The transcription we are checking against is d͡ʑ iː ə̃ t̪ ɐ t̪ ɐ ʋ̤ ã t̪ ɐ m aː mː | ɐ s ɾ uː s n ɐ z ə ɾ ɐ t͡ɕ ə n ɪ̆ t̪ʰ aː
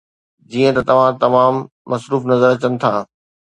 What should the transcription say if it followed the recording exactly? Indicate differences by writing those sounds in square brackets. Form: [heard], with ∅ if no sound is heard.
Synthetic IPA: d͡ʑ iː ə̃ t̪ ɐ t̪ ɐ ʋ̤ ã t̪ ɐ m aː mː | ɐ s ɾ uː [f] n ɐ z ə ɾ ɐ t͡ɕ ə n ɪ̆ t̪ʰ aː